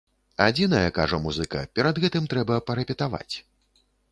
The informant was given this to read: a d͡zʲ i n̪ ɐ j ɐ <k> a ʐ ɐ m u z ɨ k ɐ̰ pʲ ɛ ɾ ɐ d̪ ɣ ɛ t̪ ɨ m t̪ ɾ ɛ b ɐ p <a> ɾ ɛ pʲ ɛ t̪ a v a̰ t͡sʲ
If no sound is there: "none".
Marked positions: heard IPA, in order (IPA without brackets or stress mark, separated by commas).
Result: k, ɐ